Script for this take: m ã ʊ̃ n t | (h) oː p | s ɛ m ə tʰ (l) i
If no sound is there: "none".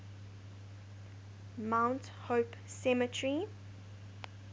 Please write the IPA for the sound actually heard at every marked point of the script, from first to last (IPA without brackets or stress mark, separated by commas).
h, ɹ